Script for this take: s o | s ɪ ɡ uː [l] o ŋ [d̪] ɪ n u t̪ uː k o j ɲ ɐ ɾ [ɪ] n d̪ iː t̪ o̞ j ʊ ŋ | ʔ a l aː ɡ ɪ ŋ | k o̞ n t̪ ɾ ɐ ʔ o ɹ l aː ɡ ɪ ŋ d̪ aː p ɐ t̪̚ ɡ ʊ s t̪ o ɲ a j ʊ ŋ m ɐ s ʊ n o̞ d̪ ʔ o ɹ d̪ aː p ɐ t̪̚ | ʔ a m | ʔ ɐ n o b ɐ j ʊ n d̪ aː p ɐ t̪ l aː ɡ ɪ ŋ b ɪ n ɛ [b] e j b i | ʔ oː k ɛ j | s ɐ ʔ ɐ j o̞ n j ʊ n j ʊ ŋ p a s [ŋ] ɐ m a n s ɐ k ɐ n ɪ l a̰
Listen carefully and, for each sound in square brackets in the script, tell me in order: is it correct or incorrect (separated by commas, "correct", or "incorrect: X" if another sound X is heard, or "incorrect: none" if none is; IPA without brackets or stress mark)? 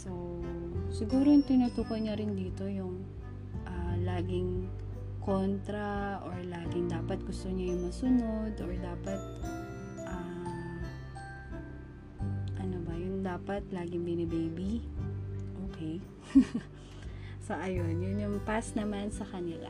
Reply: incorrect: ɾ, incorrect: t̪, correct, correct, incorrect: n